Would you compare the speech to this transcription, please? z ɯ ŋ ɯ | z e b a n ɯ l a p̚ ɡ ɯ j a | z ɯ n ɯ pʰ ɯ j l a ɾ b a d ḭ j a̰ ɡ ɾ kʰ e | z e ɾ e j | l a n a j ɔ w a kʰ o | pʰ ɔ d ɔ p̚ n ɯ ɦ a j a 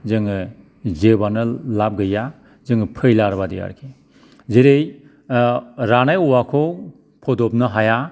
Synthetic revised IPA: z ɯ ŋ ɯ | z e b a n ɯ l a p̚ ɡ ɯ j a | z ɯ ŋ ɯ pʰ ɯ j l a ɾ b a d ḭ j a̰ ɾ kʰ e | z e ɾ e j | ɾ a n a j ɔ w a kʰ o | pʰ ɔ d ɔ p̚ n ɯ ɦ a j a

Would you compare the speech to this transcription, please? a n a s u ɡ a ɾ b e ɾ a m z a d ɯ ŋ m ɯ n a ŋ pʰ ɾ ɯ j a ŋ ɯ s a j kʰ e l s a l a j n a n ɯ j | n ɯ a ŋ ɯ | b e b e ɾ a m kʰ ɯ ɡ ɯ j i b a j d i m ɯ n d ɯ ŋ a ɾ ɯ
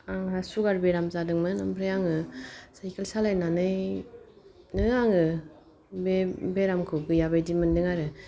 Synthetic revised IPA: a ŋ a s u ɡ a ɾ b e ɾ a m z a d ɯ ŋ m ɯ n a m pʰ ɾ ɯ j a ŋ ɯ s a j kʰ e l s a l a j n a n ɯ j | n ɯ a ŋ ɯ | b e b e ɾ a m kʰ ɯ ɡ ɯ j a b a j d i m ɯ n d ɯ ŋ a ɾ ɯ

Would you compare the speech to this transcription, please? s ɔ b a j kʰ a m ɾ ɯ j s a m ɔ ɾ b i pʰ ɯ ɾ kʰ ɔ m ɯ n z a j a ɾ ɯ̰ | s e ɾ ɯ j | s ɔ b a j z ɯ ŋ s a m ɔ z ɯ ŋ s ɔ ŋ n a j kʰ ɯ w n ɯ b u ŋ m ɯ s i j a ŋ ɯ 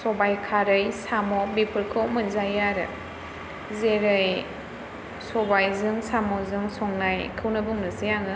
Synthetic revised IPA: s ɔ b a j kʰ a ɾ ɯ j s a m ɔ b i pʰ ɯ ɾ kʰ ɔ m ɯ n z a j a ɾ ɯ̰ | z e ɾ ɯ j | s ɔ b a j z ɯ ŋ s a m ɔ z ɯ ŋ s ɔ ŋ n a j kʰ ɯ w n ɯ b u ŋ n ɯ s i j a ŋ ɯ

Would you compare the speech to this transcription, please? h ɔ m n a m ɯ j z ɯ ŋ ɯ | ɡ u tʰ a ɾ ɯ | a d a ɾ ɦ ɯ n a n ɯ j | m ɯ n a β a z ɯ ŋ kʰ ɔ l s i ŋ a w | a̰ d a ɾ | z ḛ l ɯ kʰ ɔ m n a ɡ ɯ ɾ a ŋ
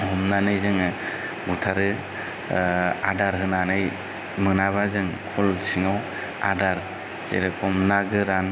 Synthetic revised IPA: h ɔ m n a n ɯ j z ɯ ŋ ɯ | ɡ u tʰ a ɾ ɯ | a d a ɾ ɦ ɯ n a n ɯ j | m ɯ n a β a z ɯ ŋ kʰ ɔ l s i ŋ a w | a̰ d a ɾ | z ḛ ɾ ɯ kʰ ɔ m n a ɡ ɯ ɾ a n

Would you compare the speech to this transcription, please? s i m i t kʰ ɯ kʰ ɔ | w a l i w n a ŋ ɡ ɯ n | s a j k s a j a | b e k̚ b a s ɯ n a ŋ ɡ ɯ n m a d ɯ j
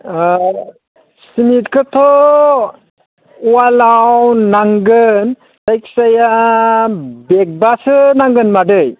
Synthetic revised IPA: s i m i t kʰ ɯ tʰ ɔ | w a l a w n a ŋ ɡ ɯ n | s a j k s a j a | b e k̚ b a s ɯ n a ŋ ɡ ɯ n m a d ɯ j

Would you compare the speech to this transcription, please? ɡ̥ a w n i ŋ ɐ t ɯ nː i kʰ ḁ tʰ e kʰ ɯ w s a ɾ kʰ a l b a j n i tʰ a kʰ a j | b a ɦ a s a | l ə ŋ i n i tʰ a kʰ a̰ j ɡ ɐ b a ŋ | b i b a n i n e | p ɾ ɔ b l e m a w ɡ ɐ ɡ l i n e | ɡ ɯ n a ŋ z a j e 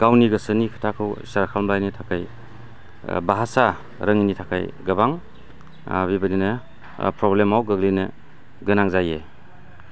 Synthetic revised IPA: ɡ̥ a w n i ɡ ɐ s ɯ n i kʰ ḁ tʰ a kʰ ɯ w s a ɾ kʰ a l b a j n i tʰ a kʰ a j | b a ɦ a s a | ɾ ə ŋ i n i tʰ a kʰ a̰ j ɡ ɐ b a ŋ | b i b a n i n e | p ɾ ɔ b l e m a w ɡ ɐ ɡ l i n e | ɡ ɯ n a ŋ z a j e

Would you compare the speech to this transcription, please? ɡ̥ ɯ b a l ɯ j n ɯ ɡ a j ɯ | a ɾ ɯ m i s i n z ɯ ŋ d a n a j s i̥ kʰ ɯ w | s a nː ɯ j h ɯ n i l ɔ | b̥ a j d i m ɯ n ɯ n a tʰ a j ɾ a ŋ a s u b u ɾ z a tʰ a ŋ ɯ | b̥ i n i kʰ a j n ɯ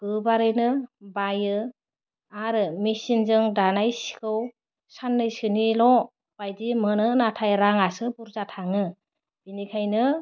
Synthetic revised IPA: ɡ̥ ɯ b a ɾ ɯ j n ɯ b a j ɯ | a ɾ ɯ m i s i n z ɯ ŋ d a n a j s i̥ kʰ ɯ w | s a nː ɯ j s ɯ n i l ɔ | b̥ a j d i m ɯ n ɯ n a tʰ a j ɾ a ŋ a s ɯ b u ɾ z a tʰ a ŋ ɯ | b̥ i n i kʰ a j n ɯ

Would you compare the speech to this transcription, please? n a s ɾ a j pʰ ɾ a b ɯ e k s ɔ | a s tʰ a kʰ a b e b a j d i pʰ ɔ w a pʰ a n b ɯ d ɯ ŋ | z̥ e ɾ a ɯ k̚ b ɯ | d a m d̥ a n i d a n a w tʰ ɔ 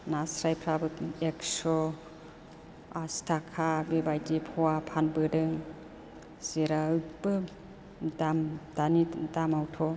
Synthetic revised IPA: n a s ɾ a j pʰ ɾ a b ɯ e k s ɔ | a s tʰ a kʰ a b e b a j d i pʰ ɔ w a pʰ a n b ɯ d ɯ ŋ | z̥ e ɾ a ɯ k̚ b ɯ | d a m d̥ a n i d a m a w tʰ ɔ

